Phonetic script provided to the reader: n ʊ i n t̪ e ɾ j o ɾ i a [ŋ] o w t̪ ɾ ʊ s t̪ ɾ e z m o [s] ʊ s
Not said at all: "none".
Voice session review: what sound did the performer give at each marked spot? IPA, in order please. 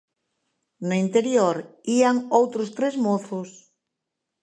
ŋ, θ

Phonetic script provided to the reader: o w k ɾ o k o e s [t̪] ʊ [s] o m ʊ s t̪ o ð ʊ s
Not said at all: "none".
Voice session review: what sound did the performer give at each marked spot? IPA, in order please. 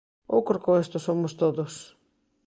t̪, s

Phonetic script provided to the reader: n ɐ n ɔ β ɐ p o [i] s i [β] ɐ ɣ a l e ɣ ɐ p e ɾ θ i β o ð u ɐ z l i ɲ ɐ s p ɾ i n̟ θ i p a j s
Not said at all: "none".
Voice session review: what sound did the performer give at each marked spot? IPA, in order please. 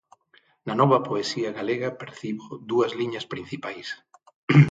e, none

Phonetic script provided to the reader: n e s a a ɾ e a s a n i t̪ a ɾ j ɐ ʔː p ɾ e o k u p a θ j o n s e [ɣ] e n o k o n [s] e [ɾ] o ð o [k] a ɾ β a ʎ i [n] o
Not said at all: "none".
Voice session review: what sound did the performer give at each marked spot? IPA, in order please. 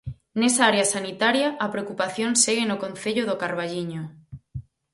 ɣ, θ, ʎ, k, ɲ

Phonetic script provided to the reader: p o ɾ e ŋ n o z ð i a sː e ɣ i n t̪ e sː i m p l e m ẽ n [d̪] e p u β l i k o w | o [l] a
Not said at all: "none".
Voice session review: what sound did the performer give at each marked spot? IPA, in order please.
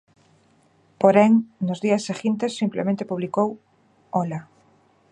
t̪, l

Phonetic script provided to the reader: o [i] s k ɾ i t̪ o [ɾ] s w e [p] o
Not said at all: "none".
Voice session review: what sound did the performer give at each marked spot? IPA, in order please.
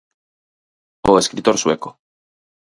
e, ɾ, k

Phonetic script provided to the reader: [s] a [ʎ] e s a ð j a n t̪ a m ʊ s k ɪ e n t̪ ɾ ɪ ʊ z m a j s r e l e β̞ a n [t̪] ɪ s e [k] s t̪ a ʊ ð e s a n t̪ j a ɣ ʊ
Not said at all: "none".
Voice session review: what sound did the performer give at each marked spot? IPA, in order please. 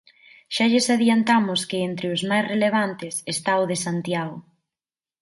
ʃ, ʎ, t̪, none

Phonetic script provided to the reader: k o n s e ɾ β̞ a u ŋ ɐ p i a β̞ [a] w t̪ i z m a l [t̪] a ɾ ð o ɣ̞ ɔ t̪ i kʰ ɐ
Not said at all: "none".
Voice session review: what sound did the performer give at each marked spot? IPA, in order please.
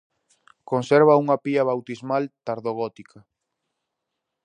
a, t̪

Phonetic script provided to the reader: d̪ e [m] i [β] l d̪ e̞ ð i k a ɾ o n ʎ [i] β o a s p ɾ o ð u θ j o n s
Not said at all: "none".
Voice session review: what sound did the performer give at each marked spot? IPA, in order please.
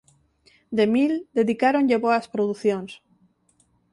m, none, e

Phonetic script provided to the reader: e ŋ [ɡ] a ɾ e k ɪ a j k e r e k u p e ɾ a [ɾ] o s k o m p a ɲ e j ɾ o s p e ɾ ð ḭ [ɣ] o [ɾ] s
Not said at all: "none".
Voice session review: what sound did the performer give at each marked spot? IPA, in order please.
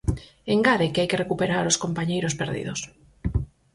ɡ, ɾ, ð, none

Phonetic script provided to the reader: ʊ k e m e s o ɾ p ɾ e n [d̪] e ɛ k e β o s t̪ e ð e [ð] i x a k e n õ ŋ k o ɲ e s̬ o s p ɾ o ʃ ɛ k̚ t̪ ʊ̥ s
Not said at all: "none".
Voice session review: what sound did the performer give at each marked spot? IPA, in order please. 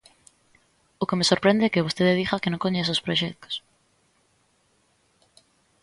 d̪, ð

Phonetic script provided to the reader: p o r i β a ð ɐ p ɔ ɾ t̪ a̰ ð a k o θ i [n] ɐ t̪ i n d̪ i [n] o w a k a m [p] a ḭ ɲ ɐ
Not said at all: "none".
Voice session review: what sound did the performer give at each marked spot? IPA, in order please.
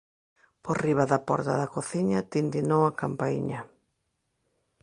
ɲ, n, p

